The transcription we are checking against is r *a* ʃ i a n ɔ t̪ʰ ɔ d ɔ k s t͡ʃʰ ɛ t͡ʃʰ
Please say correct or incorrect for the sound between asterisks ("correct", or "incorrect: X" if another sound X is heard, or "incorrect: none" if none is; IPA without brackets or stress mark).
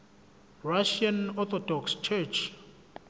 correct